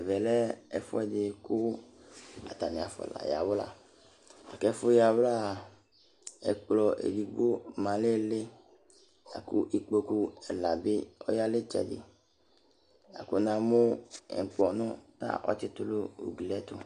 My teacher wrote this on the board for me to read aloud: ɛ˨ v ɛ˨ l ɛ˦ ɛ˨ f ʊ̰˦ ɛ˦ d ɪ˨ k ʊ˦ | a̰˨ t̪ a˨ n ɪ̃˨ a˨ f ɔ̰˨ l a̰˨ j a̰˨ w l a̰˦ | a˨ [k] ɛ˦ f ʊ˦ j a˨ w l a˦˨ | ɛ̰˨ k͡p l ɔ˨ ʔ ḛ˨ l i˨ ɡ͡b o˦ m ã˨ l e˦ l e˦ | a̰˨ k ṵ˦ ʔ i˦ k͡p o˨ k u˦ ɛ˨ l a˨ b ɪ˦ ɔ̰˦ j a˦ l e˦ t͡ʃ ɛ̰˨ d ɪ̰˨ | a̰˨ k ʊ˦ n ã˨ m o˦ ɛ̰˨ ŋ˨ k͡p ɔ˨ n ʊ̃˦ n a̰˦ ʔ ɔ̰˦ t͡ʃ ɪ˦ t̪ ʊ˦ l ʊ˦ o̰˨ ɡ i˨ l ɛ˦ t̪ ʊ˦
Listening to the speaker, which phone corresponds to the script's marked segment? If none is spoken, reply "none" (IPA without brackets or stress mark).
k